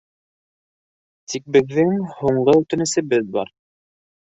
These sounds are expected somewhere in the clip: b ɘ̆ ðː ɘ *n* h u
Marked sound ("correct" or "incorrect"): incorrect